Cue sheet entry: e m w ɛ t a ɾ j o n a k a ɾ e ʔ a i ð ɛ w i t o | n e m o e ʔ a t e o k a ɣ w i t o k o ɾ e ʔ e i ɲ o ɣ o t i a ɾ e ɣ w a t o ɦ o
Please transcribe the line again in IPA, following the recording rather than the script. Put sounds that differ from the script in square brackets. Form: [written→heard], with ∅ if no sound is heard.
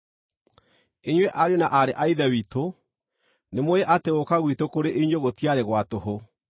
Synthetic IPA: e [m→ɲ] w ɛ [t→ʔ] a ɾ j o n a [k→ʔ] a ɾ e ʔ a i ð ɛ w i t o | n e m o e ʔ a t e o k a ɣ w i t o k o ɾ e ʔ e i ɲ o ɣ o t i a ɾ e ɣ w a t o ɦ o